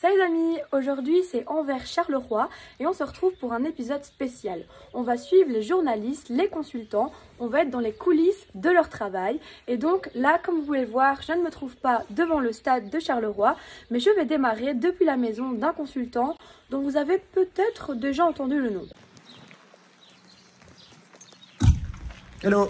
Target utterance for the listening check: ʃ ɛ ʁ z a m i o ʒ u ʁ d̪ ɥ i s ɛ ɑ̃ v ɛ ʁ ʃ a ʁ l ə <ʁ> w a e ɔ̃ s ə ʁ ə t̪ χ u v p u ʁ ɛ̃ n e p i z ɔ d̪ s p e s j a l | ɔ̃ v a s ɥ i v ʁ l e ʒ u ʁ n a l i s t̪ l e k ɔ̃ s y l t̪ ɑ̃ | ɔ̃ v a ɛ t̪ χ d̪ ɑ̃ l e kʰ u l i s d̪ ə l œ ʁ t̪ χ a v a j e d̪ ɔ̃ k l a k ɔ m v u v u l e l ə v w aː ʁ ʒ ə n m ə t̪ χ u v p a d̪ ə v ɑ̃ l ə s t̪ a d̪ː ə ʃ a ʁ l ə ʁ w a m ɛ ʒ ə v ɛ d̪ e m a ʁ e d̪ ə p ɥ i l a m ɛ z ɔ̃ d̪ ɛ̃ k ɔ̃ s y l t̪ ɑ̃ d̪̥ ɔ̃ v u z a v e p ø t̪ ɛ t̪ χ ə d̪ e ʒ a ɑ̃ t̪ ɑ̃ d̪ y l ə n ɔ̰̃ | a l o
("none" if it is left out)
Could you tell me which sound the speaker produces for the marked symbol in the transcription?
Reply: ʁ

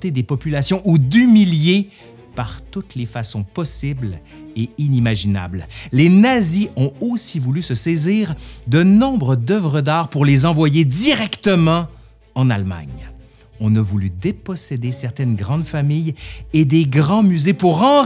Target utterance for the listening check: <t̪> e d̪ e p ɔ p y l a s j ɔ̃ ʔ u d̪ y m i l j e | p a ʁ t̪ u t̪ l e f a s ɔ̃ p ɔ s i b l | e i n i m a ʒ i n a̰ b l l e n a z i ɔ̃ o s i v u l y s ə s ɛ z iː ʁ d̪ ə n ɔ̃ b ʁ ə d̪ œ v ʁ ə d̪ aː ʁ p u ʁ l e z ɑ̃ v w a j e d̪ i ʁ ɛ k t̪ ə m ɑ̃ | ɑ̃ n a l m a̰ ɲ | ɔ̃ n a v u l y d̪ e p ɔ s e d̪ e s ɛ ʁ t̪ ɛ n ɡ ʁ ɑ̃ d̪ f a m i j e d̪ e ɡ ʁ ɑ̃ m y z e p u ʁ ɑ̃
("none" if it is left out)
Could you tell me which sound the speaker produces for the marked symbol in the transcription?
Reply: t̪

